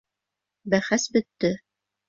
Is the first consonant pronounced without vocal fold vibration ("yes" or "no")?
no